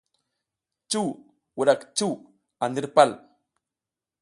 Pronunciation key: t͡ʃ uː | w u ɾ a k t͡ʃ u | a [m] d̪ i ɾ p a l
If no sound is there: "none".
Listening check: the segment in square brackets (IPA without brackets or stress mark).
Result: n